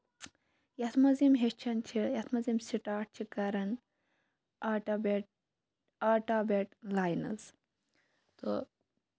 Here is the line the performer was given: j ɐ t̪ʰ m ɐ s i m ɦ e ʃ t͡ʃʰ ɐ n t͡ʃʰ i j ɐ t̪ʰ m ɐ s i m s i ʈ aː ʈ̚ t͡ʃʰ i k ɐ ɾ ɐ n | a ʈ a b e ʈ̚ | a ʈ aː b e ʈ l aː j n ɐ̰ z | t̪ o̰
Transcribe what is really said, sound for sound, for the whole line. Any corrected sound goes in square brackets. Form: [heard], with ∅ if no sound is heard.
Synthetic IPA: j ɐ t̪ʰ m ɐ [z] i m ɦ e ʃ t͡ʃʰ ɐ n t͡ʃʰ i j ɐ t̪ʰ m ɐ [z] i m s i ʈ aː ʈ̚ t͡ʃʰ i k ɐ ɾ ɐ n | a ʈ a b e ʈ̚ | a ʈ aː b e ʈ l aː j n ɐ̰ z | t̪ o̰

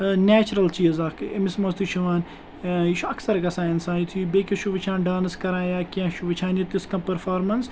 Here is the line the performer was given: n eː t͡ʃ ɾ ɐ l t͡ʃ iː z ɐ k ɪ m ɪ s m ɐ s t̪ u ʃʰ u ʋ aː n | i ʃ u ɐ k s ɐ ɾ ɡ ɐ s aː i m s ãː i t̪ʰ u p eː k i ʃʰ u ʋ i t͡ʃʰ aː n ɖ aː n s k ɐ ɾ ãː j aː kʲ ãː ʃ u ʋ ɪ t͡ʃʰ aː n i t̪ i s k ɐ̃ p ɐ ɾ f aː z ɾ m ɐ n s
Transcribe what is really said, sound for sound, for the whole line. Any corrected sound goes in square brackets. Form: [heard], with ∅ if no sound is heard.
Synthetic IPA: n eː t͡ʃ ɾ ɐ l t͡ʃ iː z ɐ k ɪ m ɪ s m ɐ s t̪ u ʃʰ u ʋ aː n | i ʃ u ɐ k s ɐ ɾ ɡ ɐ s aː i [n] s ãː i t̪ʰ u [b] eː k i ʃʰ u ʋ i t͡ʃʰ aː n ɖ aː n s k ɐ ɾ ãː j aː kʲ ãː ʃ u ʋ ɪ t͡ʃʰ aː n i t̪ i s k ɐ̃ p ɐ ɾ f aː [∅] ɾ m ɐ n s

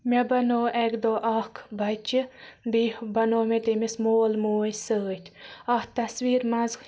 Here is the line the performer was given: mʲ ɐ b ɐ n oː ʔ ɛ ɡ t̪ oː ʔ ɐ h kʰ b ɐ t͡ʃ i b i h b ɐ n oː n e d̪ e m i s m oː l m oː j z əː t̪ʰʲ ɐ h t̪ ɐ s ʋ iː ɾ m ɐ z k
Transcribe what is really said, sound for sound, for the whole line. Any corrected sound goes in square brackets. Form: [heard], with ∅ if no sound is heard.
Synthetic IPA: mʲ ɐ b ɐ n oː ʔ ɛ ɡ [d̪] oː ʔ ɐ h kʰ b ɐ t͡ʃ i b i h b ɐ n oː [m] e [t̪] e m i s m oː l m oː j [s] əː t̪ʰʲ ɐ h t̪ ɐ s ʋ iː ɾ m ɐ z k

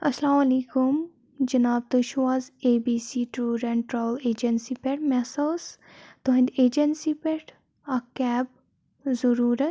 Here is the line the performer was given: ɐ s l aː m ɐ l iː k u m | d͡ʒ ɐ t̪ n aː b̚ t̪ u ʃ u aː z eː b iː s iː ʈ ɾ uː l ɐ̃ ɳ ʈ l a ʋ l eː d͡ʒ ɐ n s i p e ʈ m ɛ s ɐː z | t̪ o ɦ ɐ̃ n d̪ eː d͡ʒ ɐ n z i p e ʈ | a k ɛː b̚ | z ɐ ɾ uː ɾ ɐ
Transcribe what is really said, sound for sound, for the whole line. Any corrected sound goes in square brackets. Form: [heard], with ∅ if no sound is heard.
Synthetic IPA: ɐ s l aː m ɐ l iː k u m | d͡ʒ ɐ [∅] n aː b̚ t̪ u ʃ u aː z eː b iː s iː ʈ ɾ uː [ɾ] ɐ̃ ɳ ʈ [ɾ] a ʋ l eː d͡ʒ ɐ n s i p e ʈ m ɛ s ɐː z | t̪ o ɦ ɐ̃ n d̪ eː d͡ʒ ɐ n [s] i p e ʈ | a k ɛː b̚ | z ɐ ɾ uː ɾ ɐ

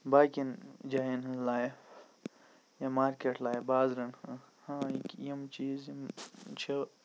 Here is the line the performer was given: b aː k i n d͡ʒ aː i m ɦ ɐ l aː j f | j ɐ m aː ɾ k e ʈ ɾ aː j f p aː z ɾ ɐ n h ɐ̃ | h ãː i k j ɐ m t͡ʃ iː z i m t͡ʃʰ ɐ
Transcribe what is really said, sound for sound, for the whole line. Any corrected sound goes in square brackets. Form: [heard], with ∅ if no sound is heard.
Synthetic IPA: b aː k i n d͡ʒ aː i [n] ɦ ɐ l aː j f | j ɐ m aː ɾ k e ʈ [l] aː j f [b] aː z ɾ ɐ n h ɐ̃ | h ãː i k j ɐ m t͡ʃ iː z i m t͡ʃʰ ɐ

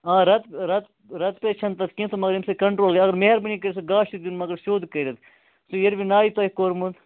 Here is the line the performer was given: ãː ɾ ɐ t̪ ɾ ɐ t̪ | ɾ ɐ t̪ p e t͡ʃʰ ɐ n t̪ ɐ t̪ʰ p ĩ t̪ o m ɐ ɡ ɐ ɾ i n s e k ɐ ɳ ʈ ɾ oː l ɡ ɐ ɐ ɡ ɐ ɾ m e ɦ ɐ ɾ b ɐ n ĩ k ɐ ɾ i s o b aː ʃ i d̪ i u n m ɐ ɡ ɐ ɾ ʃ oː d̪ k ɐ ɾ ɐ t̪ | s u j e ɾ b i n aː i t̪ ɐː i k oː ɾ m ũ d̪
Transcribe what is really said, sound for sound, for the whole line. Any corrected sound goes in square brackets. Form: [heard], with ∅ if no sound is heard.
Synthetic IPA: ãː ɾ ɐ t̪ ɾ ɐ t̪ | ɾ ɐ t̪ p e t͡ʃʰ ɐ n t̪ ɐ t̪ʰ [k] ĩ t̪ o m ɐ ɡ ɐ ɾ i [m] s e k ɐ ɳ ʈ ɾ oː l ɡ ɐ ɐ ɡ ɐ ɾ m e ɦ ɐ ɾ b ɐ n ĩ k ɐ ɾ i s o [ɡ] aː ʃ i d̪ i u n m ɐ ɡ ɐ ɾ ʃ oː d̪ k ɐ ɾ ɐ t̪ | s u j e ɾ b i n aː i t̪ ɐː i k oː ɾ m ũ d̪

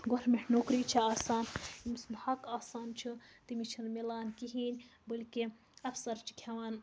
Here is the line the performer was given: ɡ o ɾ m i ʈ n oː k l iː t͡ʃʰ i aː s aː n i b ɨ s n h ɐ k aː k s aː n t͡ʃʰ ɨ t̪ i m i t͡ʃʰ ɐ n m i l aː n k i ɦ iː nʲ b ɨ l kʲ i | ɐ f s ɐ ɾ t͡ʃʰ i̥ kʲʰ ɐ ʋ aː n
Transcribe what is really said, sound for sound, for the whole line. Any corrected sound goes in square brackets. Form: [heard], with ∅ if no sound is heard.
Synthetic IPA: ɡ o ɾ m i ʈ n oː k [ɾ] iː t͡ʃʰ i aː s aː n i [m] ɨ s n h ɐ k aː [∅] s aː n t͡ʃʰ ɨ t̪ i m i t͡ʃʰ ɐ n m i l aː n k i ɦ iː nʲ b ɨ l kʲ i | ɐ f s ɐ ɾ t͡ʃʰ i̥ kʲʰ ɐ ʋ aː n

